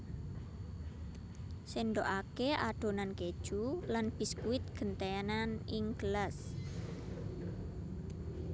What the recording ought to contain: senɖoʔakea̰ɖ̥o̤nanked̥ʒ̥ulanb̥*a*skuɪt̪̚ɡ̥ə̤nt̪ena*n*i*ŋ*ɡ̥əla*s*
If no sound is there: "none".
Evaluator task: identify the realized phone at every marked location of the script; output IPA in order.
i, n, ŋ, s

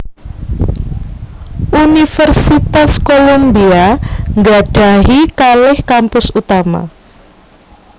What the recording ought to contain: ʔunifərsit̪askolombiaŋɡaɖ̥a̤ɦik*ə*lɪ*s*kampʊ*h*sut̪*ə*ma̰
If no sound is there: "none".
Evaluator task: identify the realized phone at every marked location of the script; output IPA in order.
a, h, none, a

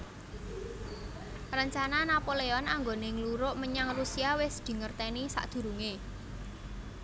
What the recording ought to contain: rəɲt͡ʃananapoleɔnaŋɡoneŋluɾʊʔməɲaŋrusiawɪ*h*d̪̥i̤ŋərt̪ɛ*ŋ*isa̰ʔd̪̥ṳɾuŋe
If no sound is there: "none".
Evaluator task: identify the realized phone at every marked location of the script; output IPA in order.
s, n

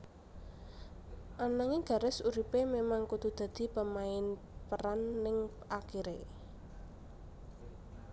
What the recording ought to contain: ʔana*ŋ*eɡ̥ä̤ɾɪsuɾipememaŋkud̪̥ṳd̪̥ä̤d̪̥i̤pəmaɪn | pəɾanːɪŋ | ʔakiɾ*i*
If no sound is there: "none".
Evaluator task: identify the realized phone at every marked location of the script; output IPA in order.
ŋ, e

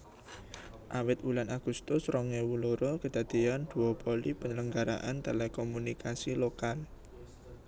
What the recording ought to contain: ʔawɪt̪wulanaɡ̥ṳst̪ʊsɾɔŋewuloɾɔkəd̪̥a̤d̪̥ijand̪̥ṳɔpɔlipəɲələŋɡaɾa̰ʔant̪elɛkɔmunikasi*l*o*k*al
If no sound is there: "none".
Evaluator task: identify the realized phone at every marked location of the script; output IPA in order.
l, k

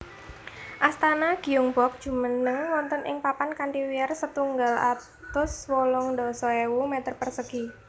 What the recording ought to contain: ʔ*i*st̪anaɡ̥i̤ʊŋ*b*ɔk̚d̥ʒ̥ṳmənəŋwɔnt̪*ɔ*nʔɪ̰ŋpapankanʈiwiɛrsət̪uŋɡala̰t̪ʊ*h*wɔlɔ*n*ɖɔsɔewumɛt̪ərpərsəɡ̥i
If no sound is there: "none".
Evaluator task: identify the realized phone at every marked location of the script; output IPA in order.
a, b, ɔ, s, ŋ

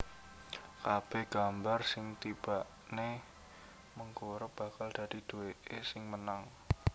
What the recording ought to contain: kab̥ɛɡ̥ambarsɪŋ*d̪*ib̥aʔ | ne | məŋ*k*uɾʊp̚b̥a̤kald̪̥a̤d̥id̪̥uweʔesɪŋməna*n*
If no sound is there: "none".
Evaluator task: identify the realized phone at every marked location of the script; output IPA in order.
t̪, k, ŋ

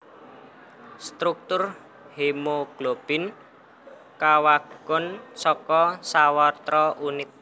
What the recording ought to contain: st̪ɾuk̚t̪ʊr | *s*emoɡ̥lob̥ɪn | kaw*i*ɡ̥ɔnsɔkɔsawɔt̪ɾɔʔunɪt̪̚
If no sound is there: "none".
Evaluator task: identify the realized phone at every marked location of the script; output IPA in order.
h, a

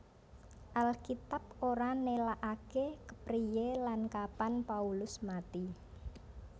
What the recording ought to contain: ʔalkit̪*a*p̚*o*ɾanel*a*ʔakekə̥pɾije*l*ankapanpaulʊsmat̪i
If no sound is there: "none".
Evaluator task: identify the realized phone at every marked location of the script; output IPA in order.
a, o, a, l

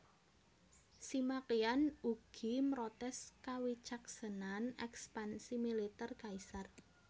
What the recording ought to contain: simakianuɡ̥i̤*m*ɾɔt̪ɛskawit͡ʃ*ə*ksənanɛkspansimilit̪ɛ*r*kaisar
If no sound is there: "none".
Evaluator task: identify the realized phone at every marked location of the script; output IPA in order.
m, a, r

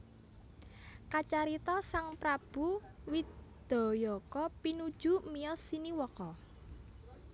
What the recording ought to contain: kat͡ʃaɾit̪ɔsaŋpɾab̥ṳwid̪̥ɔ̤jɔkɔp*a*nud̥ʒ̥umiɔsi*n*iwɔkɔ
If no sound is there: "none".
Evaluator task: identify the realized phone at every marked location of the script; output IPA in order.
i, n

